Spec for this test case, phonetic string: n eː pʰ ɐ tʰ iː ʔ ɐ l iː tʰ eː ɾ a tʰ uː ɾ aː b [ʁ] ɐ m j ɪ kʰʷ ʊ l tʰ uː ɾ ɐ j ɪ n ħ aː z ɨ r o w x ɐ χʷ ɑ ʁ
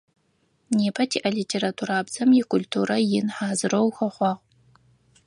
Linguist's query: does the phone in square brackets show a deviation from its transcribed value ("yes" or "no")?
yes